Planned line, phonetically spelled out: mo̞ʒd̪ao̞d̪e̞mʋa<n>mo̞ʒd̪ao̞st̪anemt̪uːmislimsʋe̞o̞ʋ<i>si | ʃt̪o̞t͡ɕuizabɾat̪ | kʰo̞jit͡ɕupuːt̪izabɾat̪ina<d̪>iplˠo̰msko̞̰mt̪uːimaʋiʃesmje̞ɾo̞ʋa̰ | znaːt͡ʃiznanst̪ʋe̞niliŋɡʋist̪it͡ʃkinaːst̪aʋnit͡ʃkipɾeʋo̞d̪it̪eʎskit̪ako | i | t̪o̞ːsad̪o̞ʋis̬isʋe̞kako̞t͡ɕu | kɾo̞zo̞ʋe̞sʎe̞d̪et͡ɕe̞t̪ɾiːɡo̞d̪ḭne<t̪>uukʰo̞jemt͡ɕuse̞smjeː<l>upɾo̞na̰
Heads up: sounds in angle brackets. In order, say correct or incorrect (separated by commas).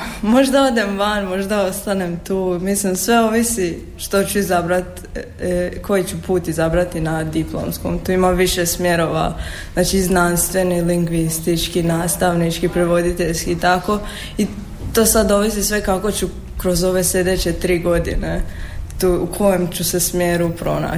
correct, correct, correct, correct, incorrect